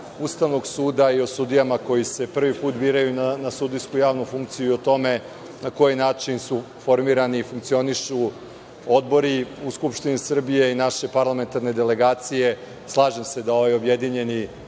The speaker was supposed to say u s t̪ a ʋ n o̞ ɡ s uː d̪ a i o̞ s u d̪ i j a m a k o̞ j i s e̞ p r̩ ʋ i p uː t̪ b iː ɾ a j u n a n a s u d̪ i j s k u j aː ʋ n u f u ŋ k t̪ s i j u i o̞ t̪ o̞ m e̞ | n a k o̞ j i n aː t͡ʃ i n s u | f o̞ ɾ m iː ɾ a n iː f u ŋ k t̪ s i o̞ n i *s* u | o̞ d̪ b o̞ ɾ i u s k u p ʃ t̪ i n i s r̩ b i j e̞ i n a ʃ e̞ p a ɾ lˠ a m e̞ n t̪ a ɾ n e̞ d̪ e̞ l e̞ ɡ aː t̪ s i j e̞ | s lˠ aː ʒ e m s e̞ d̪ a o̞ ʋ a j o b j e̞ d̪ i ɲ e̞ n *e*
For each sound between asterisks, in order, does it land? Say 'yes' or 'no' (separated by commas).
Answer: no, no